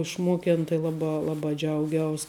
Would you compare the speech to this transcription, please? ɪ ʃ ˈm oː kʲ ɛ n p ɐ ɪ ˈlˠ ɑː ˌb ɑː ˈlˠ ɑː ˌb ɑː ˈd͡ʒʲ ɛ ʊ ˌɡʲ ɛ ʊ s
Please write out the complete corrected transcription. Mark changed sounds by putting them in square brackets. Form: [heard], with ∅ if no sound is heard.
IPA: ɪ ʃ ˈm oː kʲ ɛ n [t] ɐ ɪ ˈlˠ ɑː ˌb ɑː ˈlˠ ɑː ˌb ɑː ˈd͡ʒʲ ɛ ʊ ˌɡʲ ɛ ʊ s